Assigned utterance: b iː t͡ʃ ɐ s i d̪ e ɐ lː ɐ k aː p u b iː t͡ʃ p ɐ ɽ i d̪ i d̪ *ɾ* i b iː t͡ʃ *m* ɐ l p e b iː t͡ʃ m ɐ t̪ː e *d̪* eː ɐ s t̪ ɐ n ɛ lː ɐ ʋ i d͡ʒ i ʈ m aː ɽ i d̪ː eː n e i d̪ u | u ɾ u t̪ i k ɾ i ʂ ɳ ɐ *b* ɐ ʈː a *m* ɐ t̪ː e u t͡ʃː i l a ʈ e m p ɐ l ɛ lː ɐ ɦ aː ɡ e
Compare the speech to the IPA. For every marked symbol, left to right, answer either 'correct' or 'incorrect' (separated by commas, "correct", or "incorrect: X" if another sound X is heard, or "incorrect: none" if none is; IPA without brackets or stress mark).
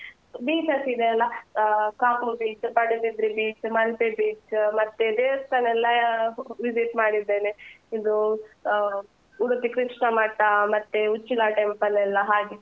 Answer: correct, correct, correct, incorrect: m, correct